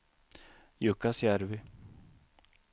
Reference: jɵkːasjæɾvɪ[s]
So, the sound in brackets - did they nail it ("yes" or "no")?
no